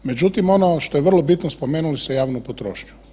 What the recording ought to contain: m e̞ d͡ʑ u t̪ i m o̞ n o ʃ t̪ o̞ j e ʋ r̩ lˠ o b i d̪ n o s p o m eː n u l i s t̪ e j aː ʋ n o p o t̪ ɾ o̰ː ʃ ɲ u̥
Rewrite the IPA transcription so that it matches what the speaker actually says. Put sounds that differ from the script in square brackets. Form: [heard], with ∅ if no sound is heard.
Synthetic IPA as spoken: m e̞ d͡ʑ u t̪ i m o̞ n o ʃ t̪ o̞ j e ʋ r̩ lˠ o b i [t̪] n o s p o m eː n u l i s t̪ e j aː ʋ n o p o t̪ ɾ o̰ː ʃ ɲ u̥